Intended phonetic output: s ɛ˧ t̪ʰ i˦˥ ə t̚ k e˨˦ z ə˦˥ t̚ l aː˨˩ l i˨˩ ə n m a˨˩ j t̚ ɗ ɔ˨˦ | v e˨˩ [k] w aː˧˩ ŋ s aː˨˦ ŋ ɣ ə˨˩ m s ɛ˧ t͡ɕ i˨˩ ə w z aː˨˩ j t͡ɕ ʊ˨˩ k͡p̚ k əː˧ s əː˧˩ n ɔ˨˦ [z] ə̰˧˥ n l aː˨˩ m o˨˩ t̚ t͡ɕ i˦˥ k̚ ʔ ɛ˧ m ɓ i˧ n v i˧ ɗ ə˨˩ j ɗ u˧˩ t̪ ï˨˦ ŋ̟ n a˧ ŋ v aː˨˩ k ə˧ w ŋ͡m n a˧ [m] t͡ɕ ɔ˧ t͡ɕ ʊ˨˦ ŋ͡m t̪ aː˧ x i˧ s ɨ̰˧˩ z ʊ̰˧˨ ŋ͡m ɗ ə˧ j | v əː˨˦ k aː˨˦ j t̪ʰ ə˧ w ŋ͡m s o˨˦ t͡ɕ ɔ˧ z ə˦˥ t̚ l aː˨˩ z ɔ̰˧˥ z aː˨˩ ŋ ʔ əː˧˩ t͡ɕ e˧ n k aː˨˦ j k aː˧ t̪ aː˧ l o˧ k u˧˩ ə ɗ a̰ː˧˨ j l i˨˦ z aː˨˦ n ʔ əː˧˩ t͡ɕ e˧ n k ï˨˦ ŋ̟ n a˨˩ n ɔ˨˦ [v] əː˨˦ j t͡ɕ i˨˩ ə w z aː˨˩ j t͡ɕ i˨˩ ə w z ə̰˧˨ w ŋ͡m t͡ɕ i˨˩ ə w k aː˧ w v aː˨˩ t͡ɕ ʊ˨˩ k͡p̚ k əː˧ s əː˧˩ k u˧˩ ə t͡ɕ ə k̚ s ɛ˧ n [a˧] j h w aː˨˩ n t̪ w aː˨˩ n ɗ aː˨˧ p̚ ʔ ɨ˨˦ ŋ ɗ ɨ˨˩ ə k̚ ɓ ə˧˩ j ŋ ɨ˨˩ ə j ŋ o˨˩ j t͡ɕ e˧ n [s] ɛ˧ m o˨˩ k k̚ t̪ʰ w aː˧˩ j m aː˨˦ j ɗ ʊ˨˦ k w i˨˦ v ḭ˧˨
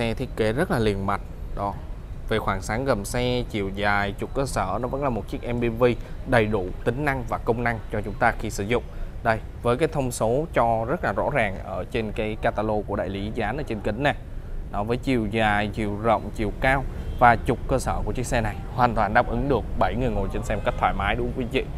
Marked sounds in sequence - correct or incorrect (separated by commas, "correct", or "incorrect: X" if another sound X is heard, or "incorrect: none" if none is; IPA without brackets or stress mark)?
incorrect: x, incorrect: v, incorrect: ŋ, correct, incorrect: a˨˩, correct